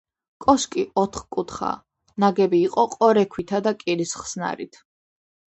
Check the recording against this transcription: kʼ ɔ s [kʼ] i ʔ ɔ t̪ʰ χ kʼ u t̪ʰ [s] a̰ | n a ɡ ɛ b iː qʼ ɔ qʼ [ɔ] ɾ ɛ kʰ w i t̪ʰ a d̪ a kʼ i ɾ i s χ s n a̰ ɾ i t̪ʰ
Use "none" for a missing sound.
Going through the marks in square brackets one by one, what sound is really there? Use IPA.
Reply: kʼ, χ, ɔ

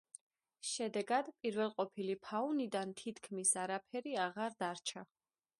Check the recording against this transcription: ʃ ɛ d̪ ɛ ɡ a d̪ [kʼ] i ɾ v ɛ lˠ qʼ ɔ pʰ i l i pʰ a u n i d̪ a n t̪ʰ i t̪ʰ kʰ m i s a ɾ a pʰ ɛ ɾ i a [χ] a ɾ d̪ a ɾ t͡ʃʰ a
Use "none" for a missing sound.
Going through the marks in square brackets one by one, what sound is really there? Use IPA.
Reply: pʼ, ʁ

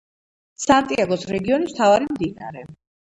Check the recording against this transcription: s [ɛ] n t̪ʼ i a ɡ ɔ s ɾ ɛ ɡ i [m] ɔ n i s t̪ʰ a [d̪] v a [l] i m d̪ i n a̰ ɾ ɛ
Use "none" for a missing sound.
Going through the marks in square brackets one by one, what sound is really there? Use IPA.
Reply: a, none, none, ɾ

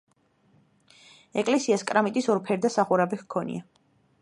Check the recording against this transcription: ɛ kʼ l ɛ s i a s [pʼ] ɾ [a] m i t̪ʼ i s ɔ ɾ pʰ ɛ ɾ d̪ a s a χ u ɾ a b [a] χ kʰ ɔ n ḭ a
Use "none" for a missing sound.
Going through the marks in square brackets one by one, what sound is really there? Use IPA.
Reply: kʼ, a, i

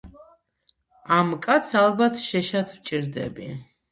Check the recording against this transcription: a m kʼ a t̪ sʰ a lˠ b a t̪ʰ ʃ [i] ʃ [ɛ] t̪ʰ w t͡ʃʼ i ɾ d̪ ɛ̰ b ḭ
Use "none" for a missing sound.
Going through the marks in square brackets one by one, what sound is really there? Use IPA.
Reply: ɛ, a

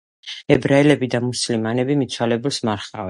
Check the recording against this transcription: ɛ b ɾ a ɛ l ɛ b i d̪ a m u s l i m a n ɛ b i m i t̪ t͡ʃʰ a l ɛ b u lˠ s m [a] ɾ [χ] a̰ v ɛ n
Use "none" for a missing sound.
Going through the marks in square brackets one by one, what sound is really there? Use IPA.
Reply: a, χ

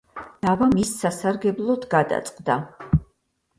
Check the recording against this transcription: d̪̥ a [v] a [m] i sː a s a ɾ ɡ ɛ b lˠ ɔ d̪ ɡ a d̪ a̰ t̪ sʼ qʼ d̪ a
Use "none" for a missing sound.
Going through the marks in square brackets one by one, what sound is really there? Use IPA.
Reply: v, m

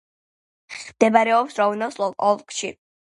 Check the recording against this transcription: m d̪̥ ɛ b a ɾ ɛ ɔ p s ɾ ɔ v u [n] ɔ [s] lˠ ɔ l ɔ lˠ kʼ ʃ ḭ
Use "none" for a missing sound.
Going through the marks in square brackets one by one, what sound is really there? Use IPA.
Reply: n, s

